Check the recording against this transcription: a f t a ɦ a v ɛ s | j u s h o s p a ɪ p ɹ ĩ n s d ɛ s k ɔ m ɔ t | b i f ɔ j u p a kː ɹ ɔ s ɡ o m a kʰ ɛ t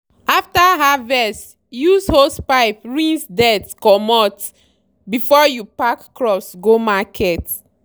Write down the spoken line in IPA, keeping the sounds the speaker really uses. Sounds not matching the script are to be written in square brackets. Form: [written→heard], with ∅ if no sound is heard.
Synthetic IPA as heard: a f t a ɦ a v ɛ s | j u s h o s p a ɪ p ɹ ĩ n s d ɛ [s→t] k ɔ m ɔ t | b i f ɔ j u p a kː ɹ ɔ s ɡ o m a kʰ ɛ t